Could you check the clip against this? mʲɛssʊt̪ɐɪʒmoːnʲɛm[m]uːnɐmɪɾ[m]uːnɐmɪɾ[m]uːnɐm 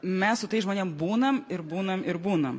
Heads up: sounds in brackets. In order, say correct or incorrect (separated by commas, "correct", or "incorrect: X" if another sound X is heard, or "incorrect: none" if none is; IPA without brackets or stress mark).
incorrect: b, incorrect: b, incorrect: b